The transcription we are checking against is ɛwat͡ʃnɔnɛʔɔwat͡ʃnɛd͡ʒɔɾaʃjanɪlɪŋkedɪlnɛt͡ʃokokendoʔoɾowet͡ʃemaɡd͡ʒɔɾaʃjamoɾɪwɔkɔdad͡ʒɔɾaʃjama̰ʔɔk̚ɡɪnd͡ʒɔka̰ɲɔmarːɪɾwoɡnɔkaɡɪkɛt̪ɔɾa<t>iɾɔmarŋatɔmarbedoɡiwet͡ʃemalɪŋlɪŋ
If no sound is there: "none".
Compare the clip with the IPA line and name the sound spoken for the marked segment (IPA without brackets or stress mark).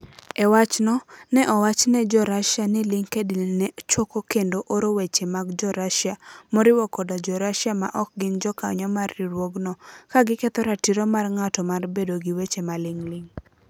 t